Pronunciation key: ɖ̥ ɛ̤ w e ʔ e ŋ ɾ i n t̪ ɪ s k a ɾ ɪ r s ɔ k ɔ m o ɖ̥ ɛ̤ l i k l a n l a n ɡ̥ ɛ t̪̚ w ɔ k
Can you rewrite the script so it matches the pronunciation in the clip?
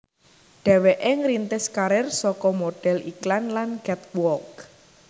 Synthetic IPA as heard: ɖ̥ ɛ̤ w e ʔ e ŋ ɾ i n t̪ ɪ s k a ɾ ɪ r s ɔ k ɔ m o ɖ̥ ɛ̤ l i k l a n l a n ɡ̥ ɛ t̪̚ w ɔ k

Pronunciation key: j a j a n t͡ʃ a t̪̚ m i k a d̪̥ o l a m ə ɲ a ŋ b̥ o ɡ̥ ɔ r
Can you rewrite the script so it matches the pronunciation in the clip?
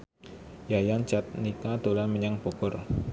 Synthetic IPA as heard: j a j a n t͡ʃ a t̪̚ n i k a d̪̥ o l a m ə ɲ a ŋ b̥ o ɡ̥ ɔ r

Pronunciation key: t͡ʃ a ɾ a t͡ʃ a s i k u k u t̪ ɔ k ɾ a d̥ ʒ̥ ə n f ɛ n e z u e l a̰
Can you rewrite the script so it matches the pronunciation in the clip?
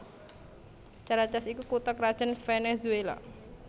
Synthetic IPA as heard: t͡ʃ a ɾ a t͡ʃ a s i k u k u t̪ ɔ k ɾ a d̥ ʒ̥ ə n f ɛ n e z u e l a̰

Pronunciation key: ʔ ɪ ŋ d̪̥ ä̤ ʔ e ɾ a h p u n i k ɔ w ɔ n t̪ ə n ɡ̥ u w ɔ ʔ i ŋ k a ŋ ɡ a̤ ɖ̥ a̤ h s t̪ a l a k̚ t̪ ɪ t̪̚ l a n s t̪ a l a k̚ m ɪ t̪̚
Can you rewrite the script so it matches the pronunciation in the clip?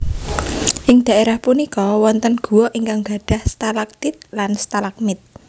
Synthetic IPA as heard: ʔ ɪ ŋ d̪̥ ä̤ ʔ e ɾ a h p u n i k ɔ w ɔ n t̪ ə n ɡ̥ u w ɔ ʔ i ŋ k a ŋ ɡ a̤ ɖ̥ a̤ h s t̪ a l a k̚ t̪ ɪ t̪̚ l a n s t̪ a l a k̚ m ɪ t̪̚

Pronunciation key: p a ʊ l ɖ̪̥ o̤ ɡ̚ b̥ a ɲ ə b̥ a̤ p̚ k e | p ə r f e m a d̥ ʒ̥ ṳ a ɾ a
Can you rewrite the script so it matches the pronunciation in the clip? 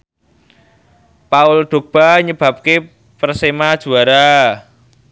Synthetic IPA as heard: p a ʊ l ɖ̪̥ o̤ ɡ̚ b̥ a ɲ ə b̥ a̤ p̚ k e | p ə r s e m a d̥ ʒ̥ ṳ a ɾ a

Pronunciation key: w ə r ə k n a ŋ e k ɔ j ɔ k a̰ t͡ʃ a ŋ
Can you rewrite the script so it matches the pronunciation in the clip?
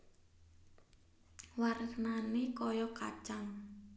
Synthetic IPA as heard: w a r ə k n a n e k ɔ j ɔ k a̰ t͡ʃ a ŋ

